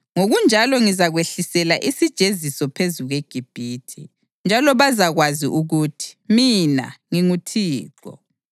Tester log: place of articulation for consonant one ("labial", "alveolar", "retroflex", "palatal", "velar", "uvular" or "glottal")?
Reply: velar